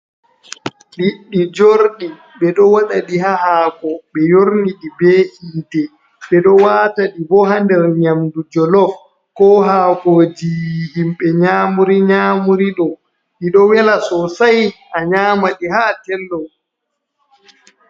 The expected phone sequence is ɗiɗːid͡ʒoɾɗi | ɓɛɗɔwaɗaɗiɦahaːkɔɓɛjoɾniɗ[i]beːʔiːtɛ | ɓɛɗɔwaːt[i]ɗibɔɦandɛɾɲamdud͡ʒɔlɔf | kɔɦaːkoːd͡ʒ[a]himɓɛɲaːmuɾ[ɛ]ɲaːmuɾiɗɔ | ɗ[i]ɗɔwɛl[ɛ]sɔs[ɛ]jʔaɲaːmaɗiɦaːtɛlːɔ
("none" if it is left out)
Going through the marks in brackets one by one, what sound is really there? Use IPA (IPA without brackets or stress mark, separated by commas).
i, a, i, i, i, a, a